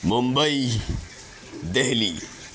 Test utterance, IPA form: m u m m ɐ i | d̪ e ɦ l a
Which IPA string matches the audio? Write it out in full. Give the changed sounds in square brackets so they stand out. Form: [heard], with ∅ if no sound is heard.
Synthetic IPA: m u m [b] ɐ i | d̪ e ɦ l [i]